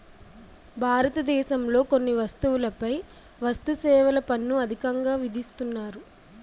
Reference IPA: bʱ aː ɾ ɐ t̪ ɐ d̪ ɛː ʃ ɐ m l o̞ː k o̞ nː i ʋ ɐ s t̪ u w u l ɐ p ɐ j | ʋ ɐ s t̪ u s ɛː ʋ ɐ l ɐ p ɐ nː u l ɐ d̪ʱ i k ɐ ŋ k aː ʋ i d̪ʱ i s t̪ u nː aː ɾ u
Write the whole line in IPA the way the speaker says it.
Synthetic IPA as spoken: bʱ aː ɾ ɐ t̪ ɐ d̪ ɛː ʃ ɐ m l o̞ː k o̞ nː i ʋ ɐ s t̪ u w u l ɐ p ɐ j | ʋ ɐ s t̪ u s ɛː ʋ ɐ l ɐ p ɐ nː u ɐ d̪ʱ i k ɐ ŋ ɡ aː ʋ i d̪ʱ i s t̪ u nː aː ɾ u